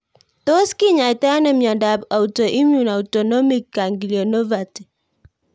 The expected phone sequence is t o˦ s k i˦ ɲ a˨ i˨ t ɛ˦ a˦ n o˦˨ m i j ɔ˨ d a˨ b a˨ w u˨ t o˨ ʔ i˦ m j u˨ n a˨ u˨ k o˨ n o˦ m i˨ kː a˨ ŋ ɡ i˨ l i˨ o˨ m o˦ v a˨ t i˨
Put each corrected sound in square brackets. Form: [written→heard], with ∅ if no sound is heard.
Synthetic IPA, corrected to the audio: t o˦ s k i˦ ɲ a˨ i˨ t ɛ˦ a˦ n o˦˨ m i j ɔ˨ d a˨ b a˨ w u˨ t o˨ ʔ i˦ m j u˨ n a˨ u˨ [k→t] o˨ n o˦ m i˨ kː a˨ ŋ ɡ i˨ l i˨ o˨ [m→n] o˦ v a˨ t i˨